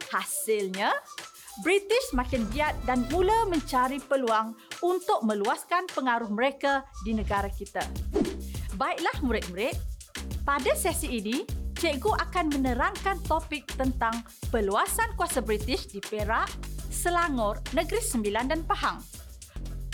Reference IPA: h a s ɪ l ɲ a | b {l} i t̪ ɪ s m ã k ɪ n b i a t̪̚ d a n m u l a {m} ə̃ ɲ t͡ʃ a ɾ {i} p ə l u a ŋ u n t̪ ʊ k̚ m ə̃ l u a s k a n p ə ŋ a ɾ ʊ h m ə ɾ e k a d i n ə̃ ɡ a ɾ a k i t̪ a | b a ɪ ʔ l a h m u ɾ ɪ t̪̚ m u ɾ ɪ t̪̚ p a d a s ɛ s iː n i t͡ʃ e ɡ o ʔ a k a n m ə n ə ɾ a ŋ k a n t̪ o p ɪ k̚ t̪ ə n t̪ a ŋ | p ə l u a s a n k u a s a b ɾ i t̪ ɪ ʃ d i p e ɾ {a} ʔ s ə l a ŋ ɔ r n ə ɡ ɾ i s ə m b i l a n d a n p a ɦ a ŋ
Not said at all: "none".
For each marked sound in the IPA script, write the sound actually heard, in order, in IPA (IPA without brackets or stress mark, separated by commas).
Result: ɾ, m, i, a